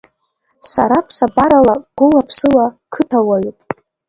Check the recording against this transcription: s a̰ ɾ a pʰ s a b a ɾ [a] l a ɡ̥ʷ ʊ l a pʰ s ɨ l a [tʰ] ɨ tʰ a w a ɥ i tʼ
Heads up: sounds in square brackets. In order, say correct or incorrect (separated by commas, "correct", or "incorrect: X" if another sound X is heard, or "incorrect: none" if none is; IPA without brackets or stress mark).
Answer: correct, incorrect: kʰ